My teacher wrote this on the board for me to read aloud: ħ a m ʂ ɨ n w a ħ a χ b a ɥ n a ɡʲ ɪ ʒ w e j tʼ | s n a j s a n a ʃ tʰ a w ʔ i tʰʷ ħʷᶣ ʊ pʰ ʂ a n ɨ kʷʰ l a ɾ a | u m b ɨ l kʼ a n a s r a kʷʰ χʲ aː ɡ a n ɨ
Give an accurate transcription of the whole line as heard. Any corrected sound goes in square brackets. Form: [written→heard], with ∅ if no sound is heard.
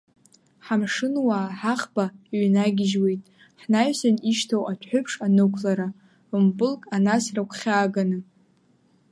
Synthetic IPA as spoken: ħ a m ʂ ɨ n w a ħ a χ b a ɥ n a ɡʲ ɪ ʒ w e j tʼ | [s→ħ] n a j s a n [a→i] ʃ tʰ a w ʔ [i→a] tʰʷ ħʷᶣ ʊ pʰ ʂ a n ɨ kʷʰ l a ɾ a | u m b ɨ l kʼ a n a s r a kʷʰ χʲ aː ɡ a n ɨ